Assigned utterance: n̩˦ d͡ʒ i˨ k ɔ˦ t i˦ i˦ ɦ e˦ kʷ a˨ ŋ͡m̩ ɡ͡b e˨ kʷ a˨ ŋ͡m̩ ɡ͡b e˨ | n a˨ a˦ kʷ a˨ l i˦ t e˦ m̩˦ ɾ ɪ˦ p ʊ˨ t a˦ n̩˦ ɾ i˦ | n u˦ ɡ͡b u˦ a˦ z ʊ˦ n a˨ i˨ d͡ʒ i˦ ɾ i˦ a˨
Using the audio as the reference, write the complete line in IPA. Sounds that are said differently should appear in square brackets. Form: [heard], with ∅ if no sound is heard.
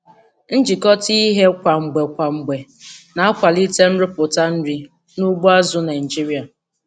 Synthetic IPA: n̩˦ d͡ʒ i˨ k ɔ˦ t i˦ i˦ ɦ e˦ kʷ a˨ ŋ͡m̩ ɡ͡b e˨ kʷ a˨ ŋ͡m̩ ɡ͡b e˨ | n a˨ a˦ kʷ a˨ l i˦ t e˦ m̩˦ ɾ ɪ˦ p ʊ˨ t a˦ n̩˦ ɾ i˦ | n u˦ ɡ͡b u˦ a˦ z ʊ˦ n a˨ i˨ d͡ʒ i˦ ɾ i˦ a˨

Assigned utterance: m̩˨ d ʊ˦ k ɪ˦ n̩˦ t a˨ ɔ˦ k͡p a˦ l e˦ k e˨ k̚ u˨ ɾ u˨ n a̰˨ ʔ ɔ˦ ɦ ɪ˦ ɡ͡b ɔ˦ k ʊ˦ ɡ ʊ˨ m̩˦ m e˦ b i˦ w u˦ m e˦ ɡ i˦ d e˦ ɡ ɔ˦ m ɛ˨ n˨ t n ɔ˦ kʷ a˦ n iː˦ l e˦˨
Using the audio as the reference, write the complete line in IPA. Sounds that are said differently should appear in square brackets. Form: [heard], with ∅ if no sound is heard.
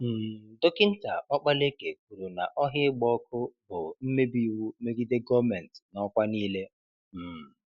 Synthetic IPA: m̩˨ d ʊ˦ k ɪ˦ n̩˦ t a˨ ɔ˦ k͡p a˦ l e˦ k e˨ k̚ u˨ ɾ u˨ n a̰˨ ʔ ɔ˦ ɦ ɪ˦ ɡ͡b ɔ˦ k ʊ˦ [b] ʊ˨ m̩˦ m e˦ b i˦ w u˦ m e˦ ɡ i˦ d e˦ ɡ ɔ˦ m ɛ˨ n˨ t n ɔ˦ kʷ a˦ n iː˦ l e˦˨

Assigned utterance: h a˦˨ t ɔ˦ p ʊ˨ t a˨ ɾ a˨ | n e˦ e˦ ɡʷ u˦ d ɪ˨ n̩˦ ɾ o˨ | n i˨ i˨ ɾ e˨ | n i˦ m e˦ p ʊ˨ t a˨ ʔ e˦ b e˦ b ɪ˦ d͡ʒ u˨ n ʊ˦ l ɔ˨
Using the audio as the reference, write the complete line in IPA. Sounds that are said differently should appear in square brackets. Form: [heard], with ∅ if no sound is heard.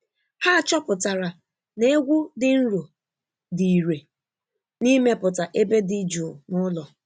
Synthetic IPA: h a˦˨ [t͡ʃ] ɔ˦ p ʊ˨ t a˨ ɾ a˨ | n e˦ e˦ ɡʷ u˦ d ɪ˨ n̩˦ ɾ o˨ | [d] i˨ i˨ ɾ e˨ | n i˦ m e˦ p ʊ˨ t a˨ ʔ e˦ b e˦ [d] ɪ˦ d͡ʒ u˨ n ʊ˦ l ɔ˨

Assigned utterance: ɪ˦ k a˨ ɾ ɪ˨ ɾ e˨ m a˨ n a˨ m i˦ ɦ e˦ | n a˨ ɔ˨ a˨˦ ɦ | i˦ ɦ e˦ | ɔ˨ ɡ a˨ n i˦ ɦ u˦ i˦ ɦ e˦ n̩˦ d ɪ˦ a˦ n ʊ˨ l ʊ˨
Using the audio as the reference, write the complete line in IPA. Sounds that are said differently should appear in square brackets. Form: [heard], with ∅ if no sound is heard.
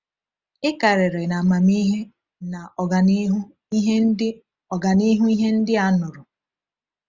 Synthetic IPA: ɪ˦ k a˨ ɾ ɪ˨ ɾ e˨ [n] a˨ [m] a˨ m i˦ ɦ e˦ | n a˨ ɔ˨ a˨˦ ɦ | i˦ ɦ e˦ | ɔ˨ ɡ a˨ n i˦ ɦ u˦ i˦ ɦ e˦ n̩˦ d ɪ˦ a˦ n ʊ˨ [ɾ] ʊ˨

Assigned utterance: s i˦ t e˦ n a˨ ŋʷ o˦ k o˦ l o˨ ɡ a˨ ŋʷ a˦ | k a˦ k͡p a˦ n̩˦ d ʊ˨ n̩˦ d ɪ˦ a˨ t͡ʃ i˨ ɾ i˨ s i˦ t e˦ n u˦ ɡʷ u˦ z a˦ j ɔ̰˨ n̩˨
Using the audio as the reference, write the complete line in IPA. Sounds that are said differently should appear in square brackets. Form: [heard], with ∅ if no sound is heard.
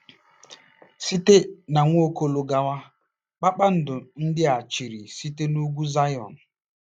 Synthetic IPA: s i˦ t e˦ n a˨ ŋʷ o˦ k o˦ l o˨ ɡ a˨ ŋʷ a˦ | [k͡p] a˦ k͡p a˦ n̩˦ d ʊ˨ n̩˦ d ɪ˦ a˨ t͡ʃ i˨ ɾ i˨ s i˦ t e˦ n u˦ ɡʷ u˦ z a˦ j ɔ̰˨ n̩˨

